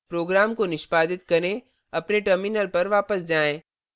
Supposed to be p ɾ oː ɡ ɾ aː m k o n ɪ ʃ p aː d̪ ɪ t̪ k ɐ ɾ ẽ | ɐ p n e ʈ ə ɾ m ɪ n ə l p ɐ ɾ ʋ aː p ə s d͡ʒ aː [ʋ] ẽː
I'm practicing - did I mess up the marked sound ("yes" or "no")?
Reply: yes